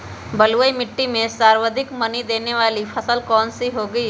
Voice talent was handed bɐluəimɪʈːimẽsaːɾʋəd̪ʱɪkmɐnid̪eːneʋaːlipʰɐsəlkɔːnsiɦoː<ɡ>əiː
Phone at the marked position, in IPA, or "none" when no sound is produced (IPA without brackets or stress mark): ɡ